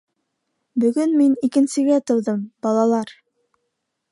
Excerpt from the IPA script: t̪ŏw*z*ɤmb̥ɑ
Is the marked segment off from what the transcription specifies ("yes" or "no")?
yes